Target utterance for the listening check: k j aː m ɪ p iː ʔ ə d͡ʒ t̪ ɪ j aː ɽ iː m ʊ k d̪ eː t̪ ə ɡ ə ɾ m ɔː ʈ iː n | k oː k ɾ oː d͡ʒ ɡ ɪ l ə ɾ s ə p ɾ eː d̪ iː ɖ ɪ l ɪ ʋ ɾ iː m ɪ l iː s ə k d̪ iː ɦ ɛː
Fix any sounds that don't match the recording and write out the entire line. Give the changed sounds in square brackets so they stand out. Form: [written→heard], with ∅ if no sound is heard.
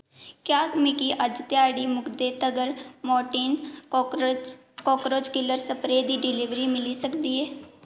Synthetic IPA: k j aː m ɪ [p→k] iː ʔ ə d͡ʒ t̪ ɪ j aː ɽ iː m ʊ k d̪ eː t̪ ə ɡ ə ɾ m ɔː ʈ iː n | k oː k ɾ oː d͡ʒ [ɡ→k] ɪ l ə ɾ s ə p ɾ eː d̪ iː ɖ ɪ l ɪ ʋ ɾ iː m ɪ l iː s ə k d̪ iː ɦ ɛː